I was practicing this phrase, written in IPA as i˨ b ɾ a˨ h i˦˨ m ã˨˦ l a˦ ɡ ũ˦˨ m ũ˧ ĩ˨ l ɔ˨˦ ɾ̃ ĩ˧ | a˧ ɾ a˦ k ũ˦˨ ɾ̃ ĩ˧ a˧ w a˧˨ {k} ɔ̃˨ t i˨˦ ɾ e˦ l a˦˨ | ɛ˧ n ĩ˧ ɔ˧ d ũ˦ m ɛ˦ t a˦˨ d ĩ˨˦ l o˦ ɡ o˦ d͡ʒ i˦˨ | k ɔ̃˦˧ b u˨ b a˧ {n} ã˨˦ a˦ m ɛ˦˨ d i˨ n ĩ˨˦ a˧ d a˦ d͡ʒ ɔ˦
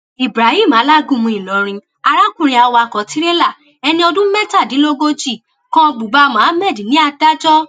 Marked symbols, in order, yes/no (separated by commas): yes, no